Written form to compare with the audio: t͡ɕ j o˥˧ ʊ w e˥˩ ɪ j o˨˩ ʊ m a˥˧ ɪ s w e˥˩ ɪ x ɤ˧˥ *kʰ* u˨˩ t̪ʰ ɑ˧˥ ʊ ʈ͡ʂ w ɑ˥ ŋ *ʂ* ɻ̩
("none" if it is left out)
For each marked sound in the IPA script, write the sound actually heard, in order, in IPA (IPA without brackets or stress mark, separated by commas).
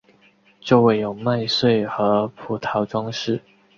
pʰ, ʂ